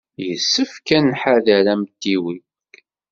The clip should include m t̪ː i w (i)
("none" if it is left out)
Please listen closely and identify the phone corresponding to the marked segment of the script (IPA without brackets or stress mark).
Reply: i